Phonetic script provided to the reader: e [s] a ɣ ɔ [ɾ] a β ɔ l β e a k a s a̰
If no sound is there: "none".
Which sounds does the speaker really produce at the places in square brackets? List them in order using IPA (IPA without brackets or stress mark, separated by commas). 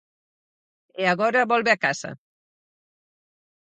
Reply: none, ɾ